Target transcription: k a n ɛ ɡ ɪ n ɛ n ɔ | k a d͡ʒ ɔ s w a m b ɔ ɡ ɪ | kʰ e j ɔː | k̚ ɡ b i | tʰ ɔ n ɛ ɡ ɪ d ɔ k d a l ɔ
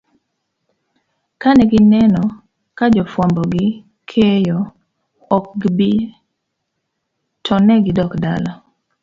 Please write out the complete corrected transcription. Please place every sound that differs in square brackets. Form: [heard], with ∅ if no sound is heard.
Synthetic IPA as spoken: k a n ɛ ɡ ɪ n ɛ n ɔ | k a d͡ʒ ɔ [f] w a m b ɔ ɡ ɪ | kʰ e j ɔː | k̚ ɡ b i | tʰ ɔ n ɛ ɡ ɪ d ɔ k d a l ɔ